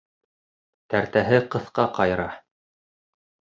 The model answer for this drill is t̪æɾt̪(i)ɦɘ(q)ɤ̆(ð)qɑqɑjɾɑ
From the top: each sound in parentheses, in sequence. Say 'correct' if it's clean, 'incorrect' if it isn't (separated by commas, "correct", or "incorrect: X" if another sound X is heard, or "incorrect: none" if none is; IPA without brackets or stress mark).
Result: incorrect: æ, correct, incorrect: θ